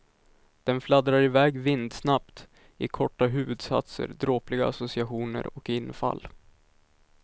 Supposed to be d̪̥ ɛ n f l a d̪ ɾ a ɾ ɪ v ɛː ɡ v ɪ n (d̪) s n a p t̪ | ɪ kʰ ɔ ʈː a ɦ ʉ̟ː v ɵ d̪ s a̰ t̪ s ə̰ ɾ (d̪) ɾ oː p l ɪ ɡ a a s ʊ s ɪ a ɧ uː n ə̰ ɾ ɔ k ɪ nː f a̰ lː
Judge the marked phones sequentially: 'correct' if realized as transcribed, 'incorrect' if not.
correct, correct

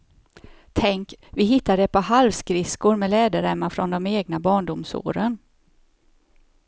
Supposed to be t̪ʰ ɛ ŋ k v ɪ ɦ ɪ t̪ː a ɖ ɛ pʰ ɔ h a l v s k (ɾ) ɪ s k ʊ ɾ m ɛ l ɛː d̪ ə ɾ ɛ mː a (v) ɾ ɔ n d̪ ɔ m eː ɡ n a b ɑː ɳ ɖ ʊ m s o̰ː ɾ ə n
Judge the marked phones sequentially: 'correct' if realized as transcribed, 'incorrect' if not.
correct, incorrect

